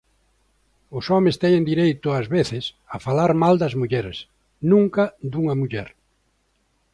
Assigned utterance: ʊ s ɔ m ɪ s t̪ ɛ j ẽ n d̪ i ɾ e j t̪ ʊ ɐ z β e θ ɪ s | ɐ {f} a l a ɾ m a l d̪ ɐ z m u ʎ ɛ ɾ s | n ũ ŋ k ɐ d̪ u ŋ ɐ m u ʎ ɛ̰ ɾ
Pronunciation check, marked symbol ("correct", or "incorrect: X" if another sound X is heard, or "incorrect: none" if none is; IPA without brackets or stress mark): correct